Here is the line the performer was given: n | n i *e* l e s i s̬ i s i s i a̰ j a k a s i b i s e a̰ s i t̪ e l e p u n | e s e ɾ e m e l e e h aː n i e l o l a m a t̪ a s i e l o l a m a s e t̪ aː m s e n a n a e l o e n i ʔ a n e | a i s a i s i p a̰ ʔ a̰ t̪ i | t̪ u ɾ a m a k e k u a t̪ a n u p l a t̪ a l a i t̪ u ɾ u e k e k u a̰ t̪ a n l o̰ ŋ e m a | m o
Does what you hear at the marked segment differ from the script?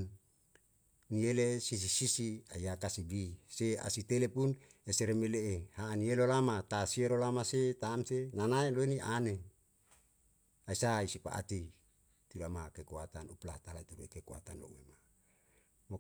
no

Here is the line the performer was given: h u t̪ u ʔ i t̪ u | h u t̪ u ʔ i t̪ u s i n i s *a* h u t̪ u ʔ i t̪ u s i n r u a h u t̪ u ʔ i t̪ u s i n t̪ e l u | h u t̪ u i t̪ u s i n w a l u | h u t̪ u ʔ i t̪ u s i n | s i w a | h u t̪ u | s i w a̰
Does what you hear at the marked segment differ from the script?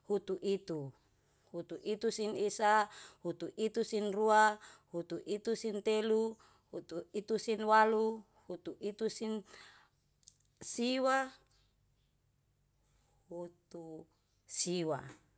no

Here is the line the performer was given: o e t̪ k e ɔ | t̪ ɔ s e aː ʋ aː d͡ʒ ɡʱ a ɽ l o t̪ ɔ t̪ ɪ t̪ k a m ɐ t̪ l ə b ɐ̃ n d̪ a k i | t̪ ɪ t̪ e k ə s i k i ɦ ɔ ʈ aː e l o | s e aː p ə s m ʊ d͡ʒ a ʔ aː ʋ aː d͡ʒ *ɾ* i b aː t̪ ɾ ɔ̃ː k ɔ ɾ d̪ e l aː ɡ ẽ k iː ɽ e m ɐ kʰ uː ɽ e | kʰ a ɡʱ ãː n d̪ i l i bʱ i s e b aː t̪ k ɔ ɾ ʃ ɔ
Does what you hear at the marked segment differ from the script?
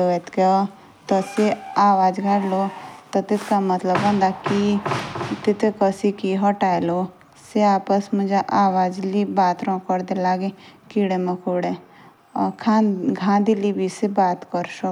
yes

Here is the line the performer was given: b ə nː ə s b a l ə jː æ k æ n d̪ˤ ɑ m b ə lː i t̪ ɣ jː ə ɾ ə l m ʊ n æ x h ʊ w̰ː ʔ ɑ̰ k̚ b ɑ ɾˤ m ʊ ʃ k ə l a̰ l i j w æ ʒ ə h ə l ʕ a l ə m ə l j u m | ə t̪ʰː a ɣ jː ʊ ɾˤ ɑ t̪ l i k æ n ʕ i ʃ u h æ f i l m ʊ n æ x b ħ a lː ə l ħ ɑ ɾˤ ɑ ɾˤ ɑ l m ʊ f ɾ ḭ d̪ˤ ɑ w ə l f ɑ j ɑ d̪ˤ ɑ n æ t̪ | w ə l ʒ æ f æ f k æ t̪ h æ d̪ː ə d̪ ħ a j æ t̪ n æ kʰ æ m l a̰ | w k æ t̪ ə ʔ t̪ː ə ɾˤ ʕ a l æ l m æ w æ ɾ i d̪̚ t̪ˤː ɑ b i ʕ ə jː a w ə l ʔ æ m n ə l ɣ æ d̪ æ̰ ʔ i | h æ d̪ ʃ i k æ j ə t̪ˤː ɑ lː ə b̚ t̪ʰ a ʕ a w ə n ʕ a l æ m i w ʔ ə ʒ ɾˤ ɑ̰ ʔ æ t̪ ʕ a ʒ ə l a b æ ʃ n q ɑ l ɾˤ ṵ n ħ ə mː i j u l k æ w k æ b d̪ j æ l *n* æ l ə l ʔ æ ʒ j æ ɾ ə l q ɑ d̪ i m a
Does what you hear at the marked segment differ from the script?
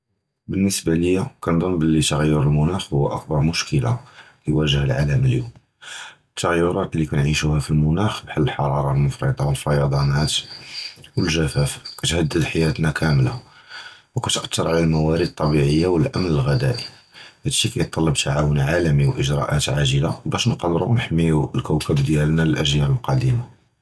no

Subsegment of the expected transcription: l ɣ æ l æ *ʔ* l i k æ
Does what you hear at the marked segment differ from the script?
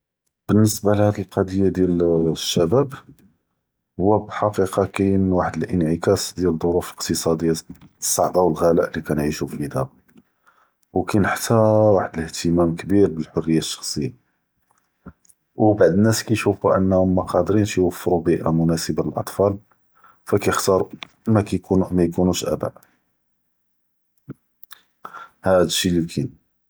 no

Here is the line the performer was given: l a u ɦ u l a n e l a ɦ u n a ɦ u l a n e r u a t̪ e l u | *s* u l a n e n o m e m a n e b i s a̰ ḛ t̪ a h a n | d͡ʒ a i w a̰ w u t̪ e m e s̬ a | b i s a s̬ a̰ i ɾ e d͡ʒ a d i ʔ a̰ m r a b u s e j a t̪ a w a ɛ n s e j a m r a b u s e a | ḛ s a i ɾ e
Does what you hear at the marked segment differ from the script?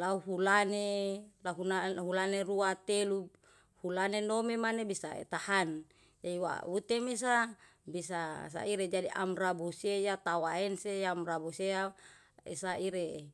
yes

